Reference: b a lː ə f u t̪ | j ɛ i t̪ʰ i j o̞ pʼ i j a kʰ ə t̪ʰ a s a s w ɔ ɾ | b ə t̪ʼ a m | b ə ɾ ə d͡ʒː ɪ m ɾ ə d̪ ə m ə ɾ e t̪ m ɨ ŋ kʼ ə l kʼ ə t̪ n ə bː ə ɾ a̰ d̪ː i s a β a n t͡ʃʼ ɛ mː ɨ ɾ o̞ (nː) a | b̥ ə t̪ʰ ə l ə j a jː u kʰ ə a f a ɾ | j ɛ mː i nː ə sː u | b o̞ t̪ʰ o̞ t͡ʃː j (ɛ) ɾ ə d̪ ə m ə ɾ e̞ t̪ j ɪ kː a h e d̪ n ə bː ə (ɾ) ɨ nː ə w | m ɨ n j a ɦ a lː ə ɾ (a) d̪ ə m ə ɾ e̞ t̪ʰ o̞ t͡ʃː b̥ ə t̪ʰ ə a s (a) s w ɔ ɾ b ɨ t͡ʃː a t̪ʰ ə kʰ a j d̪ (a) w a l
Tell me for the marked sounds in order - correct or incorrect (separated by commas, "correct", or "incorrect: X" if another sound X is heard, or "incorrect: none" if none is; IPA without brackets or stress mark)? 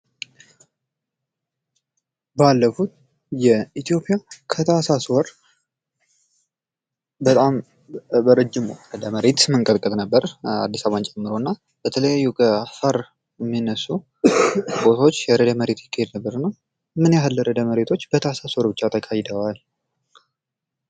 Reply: correct, correct, correct, incorrect: ə, correct, incorrect: ə